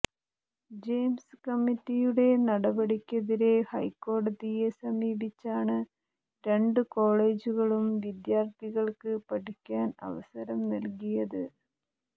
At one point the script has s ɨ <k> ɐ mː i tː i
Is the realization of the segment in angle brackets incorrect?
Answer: no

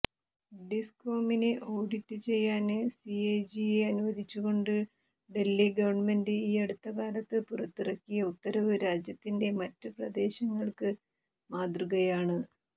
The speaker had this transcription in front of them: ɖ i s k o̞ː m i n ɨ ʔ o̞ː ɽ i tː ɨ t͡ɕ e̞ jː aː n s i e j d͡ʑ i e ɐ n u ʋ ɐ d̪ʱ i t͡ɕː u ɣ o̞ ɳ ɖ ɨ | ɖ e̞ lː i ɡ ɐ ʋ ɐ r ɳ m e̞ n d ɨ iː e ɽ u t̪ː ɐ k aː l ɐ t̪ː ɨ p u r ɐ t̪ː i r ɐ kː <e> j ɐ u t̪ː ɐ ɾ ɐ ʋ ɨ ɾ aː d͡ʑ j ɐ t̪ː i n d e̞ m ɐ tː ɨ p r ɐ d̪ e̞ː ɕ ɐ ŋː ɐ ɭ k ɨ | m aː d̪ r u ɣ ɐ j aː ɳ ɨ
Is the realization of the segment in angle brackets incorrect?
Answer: yes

